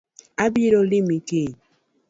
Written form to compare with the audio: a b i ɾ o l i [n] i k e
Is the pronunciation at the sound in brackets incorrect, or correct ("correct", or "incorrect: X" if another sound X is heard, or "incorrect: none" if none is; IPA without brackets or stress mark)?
incorrect: m